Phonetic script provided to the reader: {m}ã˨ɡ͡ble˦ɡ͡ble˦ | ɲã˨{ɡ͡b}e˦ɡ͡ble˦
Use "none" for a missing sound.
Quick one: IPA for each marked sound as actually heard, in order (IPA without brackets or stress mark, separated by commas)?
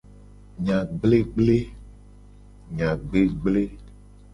ɲ, ɡ͡b